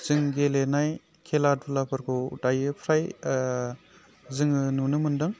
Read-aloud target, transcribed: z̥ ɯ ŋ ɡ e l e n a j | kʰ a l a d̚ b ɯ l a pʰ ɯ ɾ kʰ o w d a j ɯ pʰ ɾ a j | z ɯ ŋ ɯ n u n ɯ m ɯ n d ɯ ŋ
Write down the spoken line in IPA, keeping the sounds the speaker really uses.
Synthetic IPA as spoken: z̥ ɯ ŋ ɡ e l e n a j | kʰ e l a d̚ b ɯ l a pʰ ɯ ɾ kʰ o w d a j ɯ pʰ ɾ a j | z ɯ ŋ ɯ n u n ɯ m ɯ n d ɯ ŋ